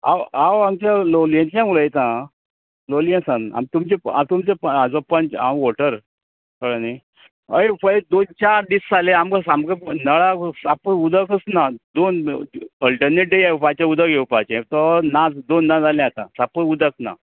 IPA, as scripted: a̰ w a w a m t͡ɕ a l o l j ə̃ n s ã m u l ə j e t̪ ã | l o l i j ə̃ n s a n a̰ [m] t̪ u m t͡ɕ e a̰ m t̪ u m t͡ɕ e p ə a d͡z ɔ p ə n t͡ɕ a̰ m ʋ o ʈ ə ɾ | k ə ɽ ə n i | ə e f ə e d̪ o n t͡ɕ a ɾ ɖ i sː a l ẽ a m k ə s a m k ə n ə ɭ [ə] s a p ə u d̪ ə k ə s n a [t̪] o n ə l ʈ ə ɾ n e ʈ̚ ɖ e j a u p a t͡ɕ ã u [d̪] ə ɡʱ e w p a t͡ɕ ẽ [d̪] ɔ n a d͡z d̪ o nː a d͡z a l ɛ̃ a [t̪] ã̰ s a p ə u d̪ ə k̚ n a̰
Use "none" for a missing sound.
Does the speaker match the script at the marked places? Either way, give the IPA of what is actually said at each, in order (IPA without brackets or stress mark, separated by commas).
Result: m, a, d̪, d̪, t̪, t̪